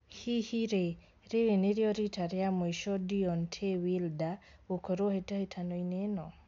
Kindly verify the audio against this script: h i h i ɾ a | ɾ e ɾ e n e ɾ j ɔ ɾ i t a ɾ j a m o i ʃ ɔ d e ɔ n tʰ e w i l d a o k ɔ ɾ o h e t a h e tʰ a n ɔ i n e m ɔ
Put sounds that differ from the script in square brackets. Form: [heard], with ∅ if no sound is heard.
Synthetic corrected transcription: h i h i ɾ [e] | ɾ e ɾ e n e ɾ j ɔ ɾ i t a ɾ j a m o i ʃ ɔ d [i] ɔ n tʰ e w i l d a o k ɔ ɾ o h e t a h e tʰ a n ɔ i n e [n] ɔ